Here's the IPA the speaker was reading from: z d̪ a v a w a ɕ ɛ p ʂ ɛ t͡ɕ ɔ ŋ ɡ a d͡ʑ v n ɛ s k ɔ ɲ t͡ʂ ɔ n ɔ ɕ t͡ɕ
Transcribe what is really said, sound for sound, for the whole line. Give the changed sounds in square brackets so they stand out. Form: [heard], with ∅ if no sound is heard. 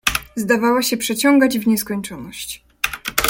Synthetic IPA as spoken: z d̪ a v a w a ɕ ɛ p ʂ ɛ t͡ɕ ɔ ŋ ɡ a d͡ʑ v [ɲ] ɛ s k ɔ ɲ t͡ʂ ɔ n ɔ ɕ t͡ɕ